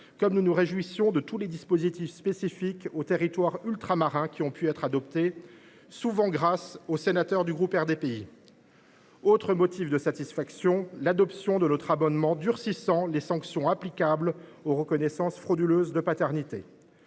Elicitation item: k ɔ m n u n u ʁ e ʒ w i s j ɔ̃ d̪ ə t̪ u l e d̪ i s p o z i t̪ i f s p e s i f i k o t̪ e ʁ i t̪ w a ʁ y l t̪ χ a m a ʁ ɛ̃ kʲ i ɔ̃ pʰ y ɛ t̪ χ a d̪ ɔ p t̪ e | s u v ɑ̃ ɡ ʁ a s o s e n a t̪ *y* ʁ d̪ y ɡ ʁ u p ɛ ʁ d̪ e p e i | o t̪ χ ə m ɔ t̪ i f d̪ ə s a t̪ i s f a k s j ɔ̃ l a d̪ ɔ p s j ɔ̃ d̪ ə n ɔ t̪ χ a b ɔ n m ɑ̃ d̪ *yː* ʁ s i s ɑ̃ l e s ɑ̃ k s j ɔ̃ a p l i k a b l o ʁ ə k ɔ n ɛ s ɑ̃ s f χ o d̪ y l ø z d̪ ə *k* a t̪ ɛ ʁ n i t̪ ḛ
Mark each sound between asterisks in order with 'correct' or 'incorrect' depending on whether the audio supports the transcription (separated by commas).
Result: incorrect, incorrect, incorrect